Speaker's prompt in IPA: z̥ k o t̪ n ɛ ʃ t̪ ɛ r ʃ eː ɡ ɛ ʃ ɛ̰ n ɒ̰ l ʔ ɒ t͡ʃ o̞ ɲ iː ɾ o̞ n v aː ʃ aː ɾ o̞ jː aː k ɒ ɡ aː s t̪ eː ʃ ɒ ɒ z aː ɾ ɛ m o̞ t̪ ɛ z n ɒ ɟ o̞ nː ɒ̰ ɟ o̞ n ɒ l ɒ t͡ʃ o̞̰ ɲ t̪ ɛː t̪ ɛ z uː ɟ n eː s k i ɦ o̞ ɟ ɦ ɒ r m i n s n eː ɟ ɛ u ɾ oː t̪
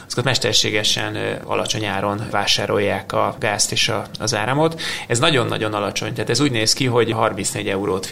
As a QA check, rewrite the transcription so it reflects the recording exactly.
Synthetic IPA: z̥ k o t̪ m ɛ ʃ t̪ ɛ r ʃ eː ɡ ɛ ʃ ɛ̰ n ɒ̰ l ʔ ɒ t͡ʃ o̞ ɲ aː ɾ o̞ n v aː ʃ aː ɾ o̞ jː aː k ɒ ɡ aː s t̪ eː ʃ ɒ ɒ z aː ɾ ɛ m o̞ t̪ ɛ z n ɒ ɟ o̞ nː ɒ̰ ɟ o̞ n ɒ l ɒ t͡ʃ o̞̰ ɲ t̪ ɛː t̪ ɛ z uː ɟ n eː s k i ɦ o̞ ɟ ɦ ɒ r m i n s n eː ɟ ɛ u ɾ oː t̪